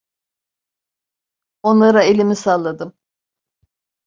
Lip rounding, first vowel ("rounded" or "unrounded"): rounded